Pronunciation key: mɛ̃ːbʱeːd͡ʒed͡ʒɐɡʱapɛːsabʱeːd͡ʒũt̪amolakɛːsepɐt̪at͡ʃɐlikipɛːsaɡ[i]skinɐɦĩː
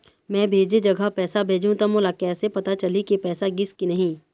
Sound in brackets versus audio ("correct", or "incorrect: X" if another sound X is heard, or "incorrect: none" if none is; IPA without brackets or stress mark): incorrect: ɪ